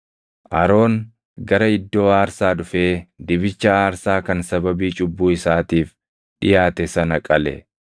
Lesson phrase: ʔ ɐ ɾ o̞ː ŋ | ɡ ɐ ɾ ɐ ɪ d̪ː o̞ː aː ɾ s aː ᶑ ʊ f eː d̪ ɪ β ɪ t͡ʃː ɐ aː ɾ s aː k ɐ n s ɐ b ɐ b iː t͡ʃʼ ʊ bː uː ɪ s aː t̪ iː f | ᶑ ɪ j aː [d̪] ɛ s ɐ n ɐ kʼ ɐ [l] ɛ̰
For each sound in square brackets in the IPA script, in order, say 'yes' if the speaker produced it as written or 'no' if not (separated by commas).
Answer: no, yes